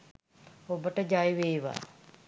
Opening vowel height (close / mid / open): mid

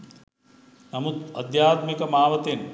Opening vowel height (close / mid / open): open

